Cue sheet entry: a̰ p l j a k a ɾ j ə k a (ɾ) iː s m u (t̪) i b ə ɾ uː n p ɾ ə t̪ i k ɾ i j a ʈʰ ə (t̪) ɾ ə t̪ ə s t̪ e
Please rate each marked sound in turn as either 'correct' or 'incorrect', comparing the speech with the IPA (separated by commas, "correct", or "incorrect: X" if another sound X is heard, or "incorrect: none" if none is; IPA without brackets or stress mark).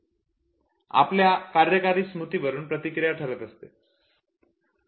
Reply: correct, correct, incorrect: none